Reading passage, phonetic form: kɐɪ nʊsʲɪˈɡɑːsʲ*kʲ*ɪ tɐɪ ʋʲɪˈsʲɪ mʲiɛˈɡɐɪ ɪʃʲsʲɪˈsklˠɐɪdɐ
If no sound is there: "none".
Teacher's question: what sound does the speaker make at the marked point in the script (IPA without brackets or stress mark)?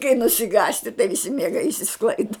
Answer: tʲ